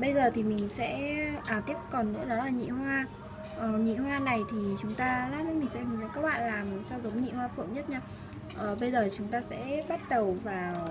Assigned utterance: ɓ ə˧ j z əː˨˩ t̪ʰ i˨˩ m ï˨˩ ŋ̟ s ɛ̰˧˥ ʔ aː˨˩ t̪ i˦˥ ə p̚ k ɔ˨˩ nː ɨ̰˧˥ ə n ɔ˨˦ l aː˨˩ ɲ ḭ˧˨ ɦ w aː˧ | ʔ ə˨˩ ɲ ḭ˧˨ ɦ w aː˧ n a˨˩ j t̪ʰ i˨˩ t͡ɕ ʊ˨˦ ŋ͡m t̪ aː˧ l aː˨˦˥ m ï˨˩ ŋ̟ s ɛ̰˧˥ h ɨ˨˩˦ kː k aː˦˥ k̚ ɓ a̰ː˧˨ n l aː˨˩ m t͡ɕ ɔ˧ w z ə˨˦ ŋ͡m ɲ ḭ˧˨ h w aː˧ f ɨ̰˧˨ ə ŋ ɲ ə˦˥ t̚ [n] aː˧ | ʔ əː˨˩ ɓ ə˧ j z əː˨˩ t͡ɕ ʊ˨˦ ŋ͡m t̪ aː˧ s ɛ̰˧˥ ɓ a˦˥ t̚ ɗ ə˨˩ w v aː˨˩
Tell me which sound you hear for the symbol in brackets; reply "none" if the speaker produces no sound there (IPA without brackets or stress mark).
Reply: ɲ